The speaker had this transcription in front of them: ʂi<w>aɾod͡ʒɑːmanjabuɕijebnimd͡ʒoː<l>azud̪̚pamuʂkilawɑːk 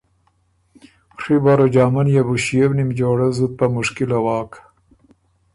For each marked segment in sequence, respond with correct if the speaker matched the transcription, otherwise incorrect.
incorrect, incorrect

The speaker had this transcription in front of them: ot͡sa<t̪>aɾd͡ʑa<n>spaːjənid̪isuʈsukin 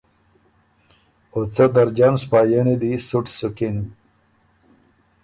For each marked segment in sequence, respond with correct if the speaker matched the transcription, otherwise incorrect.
incorrect, correct

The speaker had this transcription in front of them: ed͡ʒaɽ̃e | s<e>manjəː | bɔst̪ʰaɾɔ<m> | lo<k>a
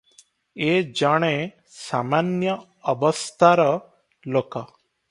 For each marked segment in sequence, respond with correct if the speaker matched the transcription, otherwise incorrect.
incorrect, incorrect, correct

